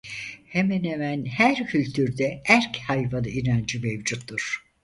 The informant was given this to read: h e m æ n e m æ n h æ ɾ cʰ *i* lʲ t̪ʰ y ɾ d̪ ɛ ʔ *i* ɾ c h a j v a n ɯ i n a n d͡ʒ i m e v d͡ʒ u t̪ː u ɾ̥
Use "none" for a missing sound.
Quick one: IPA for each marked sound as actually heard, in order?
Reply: y, æ

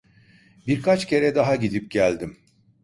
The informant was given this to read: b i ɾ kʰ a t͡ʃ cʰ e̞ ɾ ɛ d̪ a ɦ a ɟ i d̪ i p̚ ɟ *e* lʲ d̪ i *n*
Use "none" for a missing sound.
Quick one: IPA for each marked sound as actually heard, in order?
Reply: æ, m

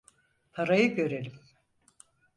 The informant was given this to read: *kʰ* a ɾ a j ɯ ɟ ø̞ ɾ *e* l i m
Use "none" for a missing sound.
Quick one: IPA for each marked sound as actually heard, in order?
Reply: pʰ, e

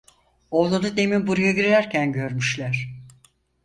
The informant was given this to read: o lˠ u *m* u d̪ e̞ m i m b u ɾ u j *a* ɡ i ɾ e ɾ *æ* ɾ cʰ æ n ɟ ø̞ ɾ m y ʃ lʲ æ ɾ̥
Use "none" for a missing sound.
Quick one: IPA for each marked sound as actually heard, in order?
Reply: n, a, æ

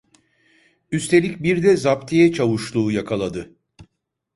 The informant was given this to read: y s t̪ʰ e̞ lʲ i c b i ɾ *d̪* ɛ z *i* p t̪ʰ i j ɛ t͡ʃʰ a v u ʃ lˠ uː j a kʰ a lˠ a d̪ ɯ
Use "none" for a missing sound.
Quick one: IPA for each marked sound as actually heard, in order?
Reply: d̪, a

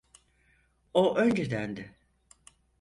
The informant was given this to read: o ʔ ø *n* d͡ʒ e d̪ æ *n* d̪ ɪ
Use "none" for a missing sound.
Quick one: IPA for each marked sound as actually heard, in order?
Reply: n, n

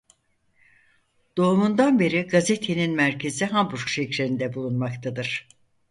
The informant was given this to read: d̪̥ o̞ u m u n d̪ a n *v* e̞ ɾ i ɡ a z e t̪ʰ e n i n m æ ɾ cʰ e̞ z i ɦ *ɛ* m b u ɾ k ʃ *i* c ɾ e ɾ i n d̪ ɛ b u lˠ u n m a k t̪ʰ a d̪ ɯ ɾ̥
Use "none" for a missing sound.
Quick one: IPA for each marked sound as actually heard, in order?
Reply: b, a, e

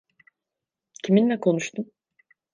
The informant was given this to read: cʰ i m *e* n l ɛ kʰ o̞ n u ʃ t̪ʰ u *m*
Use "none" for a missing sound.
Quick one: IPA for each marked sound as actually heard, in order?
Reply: i, m

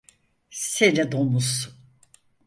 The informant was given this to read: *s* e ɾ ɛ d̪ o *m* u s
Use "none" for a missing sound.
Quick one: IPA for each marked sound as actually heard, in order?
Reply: s, m

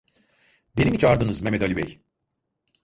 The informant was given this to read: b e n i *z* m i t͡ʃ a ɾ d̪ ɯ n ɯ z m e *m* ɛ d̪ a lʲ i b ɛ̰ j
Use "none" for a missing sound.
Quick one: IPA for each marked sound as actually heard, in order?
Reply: none, m

